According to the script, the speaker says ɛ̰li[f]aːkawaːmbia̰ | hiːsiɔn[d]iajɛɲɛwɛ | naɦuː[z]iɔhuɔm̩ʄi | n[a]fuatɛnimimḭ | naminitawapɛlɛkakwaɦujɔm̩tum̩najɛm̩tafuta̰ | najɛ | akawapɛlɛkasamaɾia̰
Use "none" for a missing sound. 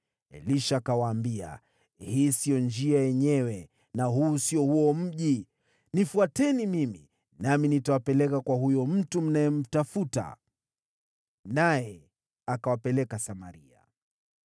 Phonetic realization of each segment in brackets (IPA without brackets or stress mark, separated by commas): ʃ, d͡ʒ, s, i